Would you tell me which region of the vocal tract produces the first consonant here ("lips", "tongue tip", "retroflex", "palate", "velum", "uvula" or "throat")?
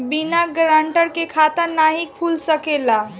lips